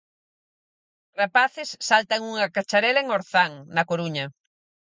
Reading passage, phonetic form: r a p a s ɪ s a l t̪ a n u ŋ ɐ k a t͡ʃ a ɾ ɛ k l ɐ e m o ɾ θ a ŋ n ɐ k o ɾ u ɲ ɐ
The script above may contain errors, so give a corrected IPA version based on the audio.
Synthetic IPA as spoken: r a p a θ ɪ sː a l t̪ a ŋ u ŋ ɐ k a t͡ʃ a ɾ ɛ l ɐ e ŋ o ɾ θ a ŋ n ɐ k o ɾ u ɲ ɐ